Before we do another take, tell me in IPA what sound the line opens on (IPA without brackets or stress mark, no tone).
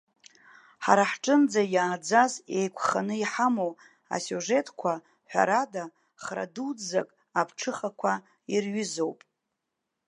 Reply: ħ